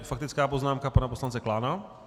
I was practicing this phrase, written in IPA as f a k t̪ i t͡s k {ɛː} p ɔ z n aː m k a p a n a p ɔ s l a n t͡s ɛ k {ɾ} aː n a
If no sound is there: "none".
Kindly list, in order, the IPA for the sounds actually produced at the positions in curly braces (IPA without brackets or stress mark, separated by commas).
aː, l